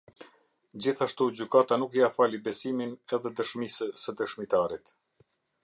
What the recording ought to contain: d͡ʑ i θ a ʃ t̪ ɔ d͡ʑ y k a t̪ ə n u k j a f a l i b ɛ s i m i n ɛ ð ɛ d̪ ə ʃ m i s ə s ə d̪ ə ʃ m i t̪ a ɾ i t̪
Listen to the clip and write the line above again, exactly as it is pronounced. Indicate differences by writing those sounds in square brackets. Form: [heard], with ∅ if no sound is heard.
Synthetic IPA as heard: d͡ʑ i θ a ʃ t̪ [u] d͡ʑ y k a t̪ [a] n u k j a f a l i b ɛ s i m i n ɛ ð ɛ d̪ ə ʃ m i s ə s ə d̪ ə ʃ m i t̪ a ɾ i t̪

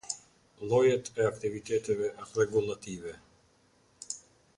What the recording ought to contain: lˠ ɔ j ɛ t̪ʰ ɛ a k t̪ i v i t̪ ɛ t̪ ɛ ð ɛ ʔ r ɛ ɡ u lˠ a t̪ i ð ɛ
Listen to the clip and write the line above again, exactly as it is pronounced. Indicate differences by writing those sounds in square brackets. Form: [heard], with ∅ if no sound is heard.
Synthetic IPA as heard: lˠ ɔ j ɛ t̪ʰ ɛ a k t̪ i v i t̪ ɛ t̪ ɛ [v] ɛ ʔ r ɛ ɡ u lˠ a t̪ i [v] ɛ

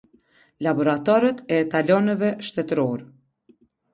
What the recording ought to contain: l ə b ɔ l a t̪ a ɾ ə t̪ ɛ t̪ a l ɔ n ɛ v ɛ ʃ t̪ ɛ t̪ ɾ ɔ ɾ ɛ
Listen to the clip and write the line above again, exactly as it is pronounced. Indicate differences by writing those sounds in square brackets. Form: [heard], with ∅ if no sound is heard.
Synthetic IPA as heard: l [a] b ɔ [ɾ] a t̪ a ɾ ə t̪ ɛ t̪ a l ɔ n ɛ v ɛ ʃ t̪ ɛ t̪ ɾ ɔ ɾ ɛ

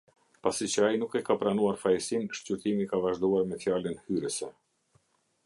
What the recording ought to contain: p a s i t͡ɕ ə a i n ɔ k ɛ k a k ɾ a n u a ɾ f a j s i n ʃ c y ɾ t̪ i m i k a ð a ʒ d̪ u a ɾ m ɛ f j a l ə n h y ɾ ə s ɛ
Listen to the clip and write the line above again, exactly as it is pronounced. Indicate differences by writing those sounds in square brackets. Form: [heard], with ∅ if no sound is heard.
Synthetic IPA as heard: p a s i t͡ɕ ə a i n [u] k ɛ k a [p] ɾ a n u a ɾ f a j s i n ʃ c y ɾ t̪ i m i k a [v] a ʒ d̪ u a ɾ m ɛ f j a l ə n h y ɾ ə s ɛ

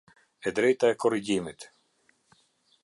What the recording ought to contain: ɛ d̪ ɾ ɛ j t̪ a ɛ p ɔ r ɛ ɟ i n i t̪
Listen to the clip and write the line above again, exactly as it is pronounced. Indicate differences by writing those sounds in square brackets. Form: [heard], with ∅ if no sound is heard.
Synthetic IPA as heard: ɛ d̪ ɾ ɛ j t̪ a ɛ [k] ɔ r [i] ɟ i [m] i t̪

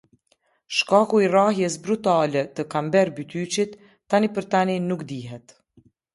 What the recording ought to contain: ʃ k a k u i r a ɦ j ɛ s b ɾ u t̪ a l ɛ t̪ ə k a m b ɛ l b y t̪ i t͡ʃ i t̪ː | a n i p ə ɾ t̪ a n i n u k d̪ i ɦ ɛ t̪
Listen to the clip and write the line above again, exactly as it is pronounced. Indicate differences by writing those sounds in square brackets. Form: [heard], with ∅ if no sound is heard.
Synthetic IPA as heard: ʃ k a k u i r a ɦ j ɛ s b ɾ u t̪ a l ɛ t̪ ə k a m b ɛ [ɾ] b y t̪ [y] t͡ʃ i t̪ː | a n i p ə ɾ t̪ a n i n u k d̪ i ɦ ɛ t̪

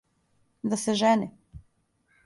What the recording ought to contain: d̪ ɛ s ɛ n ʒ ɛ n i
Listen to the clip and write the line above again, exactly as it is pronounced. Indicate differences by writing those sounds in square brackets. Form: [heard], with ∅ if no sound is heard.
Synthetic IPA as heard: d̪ [a] s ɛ [∅] ʒ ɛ n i

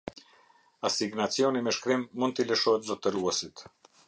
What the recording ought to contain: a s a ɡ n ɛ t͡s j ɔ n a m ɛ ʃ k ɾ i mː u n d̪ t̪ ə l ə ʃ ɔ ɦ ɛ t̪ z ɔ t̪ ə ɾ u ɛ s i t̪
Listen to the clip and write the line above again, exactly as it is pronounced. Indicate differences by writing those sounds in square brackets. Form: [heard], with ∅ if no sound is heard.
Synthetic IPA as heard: a s [i] ɡ n [a] t͡s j ɔ n [i] m ɛ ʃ k ɾ i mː u n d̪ t̪ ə l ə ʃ ɔ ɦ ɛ t̪ z ɔ t̪ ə ɾ u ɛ s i t̪

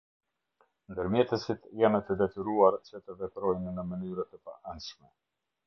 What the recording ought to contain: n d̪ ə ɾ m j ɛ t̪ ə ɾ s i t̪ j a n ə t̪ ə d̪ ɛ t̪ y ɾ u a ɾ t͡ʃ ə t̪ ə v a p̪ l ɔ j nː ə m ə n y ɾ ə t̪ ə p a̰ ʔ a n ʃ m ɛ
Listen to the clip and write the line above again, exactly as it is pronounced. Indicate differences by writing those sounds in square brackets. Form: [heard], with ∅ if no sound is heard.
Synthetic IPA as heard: n d̪ ə ɾ m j ɛ t̪ ə [∅] s i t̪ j a n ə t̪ ə d̪ ɛ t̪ y ɾ u a ɾ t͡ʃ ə t̪ ə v [ɛ] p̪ [ɾ] ɔ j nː ə m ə n y ɾ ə t̪ ə p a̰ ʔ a n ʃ m ɛ

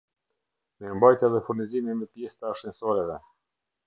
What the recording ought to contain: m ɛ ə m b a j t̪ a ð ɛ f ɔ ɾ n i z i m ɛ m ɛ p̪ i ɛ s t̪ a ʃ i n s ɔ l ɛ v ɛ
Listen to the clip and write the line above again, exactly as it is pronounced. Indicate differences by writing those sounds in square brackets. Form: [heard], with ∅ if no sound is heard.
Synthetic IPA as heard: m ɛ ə m b a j t̪ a ð ɛ f [u] ɾ n i z i m [i] m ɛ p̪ [j] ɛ s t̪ a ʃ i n s ɔ [ɾ] ɛ v ɛ

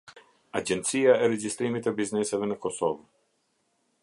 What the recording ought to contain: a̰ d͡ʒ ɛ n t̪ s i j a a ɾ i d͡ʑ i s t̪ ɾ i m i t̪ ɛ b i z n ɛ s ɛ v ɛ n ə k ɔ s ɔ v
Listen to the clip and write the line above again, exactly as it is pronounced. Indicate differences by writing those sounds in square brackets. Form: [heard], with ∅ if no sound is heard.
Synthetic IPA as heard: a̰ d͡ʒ ɛ n t̪ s i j a [ɛ] ɾ [ɛ] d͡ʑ i s t̪ ɾ i m i t̪ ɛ b i z n ɛ s ɛ v ɛ n ə k ɔ s ɔ v

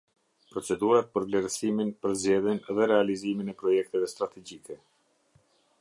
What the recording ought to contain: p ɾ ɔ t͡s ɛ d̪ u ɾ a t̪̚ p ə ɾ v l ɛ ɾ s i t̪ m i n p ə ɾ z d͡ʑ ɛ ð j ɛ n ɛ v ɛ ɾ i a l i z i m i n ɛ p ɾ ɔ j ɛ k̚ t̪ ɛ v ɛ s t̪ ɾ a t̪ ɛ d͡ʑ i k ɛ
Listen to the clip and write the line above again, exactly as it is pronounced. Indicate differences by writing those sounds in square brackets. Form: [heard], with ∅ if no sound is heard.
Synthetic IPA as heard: p ɾ ɔ t͡s ɛ d̪ u ɾ a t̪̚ p ə ɾ v l ɛ ɾ s i [∅] m i n p ə ɾ z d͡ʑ ɛ ð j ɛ n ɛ [ð] ɛ ɾ [ɛ] a l i z i m i n ɛ p ɾ ɔ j ɛ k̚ t̪ ɛ v ɛ s t̪ ɾ a t̪ ɛ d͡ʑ i k ɛ

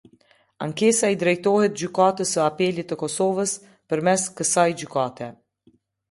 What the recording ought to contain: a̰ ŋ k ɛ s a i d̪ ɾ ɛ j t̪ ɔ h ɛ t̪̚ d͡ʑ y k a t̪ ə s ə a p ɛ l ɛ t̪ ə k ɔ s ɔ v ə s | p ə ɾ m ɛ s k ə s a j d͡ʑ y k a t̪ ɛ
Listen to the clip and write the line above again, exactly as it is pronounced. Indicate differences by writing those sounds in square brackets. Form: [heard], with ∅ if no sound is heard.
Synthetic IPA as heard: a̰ ŋ k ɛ s a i d̪ ɾ ɛ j t̪ ɔ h ɛ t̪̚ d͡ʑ y k a t̪ ə s ə a p ɛ l [i] t̪ ə k ɔ s ɔ v ə s | p ə ɾ m ɛ s k ə s a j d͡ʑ y k a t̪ ɛ

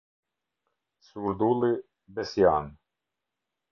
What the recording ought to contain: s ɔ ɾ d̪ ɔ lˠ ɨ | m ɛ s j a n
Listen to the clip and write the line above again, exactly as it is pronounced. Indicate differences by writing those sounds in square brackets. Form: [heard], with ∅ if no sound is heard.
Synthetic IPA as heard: s [u] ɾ d̪ [u] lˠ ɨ | [b] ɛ s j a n

